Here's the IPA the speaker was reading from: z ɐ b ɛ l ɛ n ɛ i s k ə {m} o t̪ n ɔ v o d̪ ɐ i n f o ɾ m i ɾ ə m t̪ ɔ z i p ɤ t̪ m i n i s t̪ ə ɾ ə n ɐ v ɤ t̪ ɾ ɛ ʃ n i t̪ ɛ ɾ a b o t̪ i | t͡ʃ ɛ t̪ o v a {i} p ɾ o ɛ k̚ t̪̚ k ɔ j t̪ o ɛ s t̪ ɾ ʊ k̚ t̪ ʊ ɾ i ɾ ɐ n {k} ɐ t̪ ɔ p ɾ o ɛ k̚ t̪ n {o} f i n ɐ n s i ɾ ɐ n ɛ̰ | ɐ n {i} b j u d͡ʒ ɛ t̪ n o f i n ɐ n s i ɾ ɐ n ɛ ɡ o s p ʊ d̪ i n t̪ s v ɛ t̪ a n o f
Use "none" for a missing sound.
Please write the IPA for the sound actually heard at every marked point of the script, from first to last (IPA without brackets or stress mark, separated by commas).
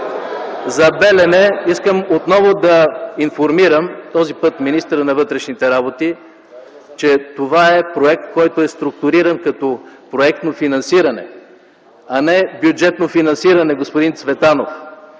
m, ɛ, k, o, ɛ